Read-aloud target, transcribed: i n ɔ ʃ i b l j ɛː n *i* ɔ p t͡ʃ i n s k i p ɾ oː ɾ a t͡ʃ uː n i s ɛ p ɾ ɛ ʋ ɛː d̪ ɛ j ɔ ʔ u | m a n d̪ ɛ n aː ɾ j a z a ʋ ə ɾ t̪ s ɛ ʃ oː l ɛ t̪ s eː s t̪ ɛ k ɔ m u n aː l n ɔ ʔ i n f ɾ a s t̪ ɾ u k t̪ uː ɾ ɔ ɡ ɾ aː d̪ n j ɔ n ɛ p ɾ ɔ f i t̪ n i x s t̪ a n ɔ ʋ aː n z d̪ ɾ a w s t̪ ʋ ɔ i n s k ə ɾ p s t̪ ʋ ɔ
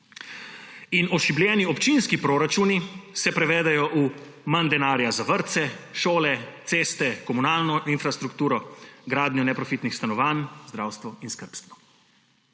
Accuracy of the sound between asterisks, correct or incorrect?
correct